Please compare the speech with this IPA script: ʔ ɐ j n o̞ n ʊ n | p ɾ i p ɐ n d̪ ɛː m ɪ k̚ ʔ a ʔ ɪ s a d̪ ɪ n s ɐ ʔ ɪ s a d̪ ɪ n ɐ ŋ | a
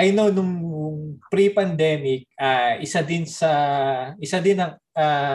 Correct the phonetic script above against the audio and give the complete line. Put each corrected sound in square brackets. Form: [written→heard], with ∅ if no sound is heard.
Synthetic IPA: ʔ ɐ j n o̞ n ʊ [n→ŋ] | p ɾ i p ɐ n d̪ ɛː m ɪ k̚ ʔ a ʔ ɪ s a d̪ ɪ n s ɐ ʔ ɪ s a d̪ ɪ n ɐ ŋ | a